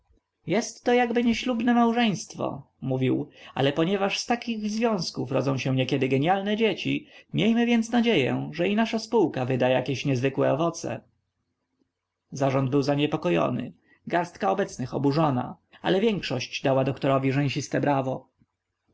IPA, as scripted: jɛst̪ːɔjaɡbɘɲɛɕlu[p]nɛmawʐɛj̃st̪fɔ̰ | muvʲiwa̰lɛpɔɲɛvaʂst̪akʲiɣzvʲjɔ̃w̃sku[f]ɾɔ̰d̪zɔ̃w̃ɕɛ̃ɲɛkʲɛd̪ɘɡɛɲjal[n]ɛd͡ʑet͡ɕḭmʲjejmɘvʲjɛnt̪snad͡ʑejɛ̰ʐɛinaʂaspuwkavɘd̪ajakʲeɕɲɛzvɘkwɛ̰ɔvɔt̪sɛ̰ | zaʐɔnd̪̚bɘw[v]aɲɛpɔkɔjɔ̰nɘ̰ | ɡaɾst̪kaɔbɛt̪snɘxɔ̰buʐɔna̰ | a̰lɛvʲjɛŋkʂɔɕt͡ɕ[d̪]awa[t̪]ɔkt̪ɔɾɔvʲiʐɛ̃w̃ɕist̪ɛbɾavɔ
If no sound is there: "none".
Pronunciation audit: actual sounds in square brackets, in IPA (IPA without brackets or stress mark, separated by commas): b, f, n, z, d̪, d̪